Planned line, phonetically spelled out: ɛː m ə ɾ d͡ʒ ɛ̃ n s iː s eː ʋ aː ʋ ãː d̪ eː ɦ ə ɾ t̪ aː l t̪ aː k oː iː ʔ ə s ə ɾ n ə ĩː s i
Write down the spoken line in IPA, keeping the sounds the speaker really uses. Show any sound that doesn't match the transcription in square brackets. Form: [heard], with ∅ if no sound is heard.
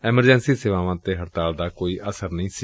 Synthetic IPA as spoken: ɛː m ə ɾ d͡ʒ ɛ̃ n s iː s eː ʋ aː ʋ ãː [t̪] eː ɦ ə ɾ t̪ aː l [d̪] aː k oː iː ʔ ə s ə ɾ n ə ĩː s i

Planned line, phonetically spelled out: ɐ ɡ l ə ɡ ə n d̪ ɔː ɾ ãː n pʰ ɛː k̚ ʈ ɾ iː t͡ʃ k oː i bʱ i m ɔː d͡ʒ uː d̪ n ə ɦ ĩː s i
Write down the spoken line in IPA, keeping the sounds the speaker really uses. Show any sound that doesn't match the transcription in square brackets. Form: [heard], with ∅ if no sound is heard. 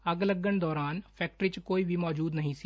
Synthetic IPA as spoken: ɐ ɡ l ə ɡ ə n d̪ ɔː ɾ [aː] n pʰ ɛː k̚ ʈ ɾ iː t͡ʃ k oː i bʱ i m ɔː d͡ʒ uː d̪ n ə ɦ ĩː s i

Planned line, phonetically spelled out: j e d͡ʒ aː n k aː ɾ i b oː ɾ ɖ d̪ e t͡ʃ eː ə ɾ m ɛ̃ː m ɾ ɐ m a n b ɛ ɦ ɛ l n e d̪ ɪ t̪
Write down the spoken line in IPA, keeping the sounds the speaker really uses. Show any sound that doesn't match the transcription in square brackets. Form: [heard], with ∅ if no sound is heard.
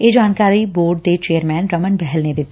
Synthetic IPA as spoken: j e d͡ʒ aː n k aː ɾ i b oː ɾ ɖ d̪ e t͡ʃ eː ə ɾ m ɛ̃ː [n] ɾ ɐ m [ə] n b ɛ ɦ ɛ l n e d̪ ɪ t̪

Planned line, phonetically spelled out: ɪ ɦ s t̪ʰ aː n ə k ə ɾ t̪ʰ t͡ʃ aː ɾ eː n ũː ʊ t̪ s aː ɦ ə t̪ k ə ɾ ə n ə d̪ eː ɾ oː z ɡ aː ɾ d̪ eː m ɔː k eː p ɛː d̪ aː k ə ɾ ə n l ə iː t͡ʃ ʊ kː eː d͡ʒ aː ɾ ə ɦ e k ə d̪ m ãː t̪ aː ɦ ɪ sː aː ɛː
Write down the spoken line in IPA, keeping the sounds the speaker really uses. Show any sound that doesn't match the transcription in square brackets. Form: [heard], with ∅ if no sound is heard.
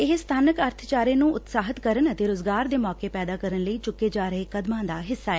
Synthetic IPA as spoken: ɪ ɦ s t̪ʰ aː n ə k ə ɾ t̪ʰ t͡ʃ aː ɾ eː n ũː ʊ t̪ s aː ɦ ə t̪ k ə ɾ ə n ə [t̪] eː ɾ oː z ɡ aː ɾ d̪ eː m ɔː k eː p ɛː d̪ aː k ə ɾ ə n l ə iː t͡ʃ ʊ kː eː d͡ʒ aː ɾ ə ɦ e k ə d̪ m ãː [d̪] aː ɦ ɪ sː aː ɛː

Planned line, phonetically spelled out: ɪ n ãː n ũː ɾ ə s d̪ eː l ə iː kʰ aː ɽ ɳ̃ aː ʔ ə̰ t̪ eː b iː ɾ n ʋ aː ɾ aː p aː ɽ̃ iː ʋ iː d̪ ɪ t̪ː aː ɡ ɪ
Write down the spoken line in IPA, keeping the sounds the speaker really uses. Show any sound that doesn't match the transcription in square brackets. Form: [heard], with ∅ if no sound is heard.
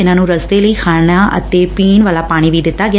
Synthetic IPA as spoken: ɪ n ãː n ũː ɾ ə s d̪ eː l ə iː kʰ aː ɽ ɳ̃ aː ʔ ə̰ t̪ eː [p] iː [∅] n ʋ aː [l] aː p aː ɽ̃ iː ʋ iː d̪ ɪ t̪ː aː ɡ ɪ

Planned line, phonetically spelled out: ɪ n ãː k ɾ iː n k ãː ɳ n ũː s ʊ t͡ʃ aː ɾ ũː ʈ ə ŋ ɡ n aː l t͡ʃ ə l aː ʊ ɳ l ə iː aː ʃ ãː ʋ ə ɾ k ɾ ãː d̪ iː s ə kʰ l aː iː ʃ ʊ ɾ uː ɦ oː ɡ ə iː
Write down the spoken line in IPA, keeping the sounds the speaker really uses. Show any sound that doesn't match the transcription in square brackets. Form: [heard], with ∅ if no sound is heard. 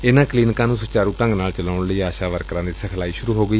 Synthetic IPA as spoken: ɪ n ãː k [l] iː n k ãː [∅] n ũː s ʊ t͡ʃ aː ɾ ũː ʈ ə ŋ ɡ n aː l t͡ʃ ə l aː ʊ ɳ l ə iː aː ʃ [aː] ʋ ə ɾ k ɾ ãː d̪ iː s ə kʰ l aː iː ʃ ʊ ɾ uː ɦ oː ɡ ə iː

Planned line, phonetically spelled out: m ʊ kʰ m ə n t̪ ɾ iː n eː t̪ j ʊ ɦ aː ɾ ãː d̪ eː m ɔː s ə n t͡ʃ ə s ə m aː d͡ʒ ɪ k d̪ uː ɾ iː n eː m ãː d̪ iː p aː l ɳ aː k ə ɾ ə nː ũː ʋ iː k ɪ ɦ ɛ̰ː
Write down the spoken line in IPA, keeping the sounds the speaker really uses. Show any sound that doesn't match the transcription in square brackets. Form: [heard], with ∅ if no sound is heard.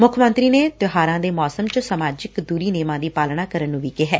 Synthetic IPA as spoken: m ʊ kʰ m ə n t̪ ɾ iː n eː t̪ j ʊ ɦ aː ɾ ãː d̪ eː m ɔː s ə [m] t͡ʃ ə s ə m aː d͡ʒ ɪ k d̪ uː ɾ iː n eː m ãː d̪ iː p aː l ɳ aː k ə ɾ ə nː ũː ʋ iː k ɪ ɦ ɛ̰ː

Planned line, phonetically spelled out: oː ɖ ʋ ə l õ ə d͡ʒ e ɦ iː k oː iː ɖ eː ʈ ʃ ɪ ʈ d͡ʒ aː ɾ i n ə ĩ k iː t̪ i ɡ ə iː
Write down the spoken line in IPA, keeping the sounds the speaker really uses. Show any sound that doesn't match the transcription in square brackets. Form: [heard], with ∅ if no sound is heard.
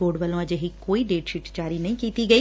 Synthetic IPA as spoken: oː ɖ ʋ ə l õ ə d͡ʒ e ɦ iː k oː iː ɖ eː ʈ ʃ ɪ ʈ d͡ʒ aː ɾ i n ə ĩ k iː t̪ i ɡ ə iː

